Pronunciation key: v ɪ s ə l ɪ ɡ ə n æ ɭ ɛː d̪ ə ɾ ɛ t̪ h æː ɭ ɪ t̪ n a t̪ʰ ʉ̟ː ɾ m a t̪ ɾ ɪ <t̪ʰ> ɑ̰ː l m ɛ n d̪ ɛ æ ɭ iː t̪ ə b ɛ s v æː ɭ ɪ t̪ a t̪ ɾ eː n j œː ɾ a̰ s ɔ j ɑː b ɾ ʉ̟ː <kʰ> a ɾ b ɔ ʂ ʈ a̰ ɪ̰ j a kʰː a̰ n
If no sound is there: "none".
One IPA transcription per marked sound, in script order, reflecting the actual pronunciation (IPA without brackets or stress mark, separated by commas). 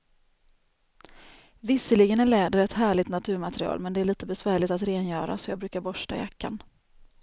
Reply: none, k